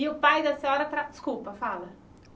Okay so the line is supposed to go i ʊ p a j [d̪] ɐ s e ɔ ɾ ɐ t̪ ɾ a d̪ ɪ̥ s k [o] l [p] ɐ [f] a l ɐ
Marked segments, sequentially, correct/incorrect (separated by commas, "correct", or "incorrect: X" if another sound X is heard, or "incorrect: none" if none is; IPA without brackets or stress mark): correct, incorrect: u, correct, correct